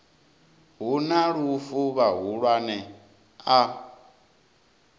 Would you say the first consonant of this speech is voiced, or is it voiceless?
voiced